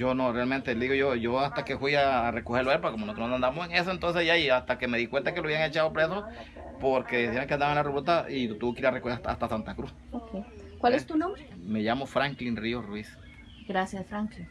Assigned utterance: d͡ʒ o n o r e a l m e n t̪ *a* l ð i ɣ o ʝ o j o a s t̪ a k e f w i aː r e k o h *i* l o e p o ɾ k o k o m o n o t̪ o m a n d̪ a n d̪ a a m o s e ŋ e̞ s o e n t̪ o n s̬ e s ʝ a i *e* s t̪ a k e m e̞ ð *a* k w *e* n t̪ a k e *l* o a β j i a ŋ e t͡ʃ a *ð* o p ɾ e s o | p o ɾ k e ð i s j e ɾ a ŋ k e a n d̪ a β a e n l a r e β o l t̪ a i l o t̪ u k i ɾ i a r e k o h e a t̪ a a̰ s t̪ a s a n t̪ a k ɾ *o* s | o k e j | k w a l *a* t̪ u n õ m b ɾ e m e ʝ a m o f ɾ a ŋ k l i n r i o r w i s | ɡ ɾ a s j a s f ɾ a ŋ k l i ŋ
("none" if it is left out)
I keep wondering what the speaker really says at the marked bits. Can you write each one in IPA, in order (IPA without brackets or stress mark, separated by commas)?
e, e, a, i, e, l, ð, u, e